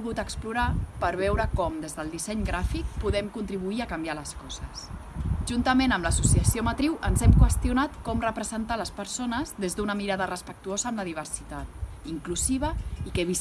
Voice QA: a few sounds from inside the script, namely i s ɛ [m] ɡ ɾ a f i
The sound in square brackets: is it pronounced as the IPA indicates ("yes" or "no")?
no